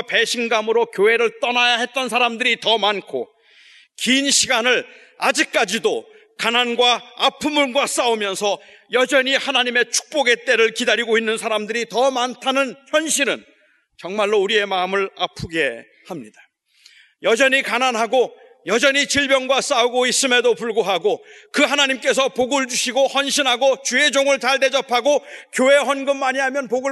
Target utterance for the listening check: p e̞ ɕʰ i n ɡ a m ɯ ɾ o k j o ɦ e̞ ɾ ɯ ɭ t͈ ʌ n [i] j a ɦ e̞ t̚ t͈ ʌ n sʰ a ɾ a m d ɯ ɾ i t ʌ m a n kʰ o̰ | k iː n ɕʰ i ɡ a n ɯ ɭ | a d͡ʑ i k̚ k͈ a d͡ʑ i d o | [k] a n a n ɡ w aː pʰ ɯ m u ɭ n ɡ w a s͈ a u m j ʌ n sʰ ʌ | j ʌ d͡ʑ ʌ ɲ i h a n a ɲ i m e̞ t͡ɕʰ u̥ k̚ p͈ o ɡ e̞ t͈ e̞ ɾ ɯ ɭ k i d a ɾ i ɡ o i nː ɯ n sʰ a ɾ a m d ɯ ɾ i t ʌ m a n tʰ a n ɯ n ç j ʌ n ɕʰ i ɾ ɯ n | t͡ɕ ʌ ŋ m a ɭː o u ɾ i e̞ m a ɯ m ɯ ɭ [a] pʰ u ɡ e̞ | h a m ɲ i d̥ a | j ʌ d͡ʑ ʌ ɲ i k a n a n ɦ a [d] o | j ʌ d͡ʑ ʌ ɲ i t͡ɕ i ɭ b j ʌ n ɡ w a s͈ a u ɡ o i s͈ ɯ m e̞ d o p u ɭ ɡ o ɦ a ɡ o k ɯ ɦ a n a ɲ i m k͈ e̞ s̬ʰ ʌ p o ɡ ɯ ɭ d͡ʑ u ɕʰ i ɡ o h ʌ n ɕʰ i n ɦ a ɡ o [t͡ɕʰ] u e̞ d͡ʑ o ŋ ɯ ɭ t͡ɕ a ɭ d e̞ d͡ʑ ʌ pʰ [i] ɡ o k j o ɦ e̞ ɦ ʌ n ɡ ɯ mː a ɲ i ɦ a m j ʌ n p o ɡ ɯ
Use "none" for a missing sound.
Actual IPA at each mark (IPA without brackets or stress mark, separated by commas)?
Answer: a, k, a, ɡ, t͡ɕ, a